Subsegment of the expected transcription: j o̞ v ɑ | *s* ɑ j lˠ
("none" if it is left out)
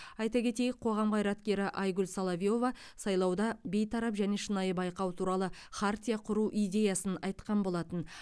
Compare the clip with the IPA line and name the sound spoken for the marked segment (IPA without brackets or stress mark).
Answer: s